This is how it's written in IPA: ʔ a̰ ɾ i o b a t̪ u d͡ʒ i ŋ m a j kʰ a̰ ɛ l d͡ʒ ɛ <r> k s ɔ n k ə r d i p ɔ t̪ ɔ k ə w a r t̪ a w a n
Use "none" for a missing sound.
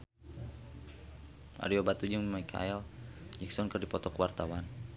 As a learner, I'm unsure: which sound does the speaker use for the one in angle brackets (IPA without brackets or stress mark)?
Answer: none